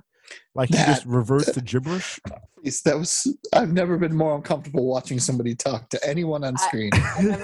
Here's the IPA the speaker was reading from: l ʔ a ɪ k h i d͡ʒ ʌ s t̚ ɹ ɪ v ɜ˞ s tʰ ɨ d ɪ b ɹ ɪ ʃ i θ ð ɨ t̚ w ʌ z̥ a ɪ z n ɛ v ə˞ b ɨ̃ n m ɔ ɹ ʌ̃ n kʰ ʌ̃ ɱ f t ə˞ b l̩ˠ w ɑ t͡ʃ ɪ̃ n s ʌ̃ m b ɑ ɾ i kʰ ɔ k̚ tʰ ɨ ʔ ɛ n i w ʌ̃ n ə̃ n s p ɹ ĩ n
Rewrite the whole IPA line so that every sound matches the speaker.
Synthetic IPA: l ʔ a ɪ k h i d͡ʒ ʌ s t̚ ɹ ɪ v ɜ˞ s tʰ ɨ d͡ʒ ɪ b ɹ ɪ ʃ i s ð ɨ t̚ w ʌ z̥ a ɪ v n ɛ v ə˞ b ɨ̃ n m ɔ ɹ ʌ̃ n kʰ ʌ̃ ɱ f t ə˞ b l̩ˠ w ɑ t͡ʃ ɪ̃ ŋ s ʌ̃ m b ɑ ɾ i tʰ ɔ k̚ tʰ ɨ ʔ ɛ n i w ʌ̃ n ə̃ n s k ɹ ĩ n